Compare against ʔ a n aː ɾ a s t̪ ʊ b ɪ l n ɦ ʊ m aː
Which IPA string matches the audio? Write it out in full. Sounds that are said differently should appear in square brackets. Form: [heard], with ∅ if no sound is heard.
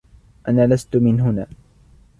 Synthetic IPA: ʔ a n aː [l] a s t̪ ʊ [m] ɪ [∅] n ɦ ʊ [n] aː